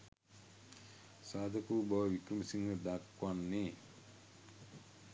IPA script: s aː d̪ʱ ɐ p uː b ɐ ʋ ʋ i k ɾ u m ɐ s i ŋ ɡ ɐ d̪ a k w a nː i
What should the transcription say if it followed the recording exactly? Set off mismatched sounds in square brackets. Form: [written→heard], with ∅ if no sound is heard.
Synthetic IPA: s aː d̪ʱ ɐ [p→k] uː b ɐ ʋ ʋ i k ɾ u m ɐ s i ŋ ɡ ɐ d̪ a k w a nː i